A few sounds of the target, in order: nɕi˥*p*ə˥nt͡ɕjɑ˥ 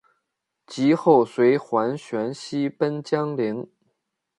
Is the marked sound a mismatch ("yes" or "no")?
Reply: no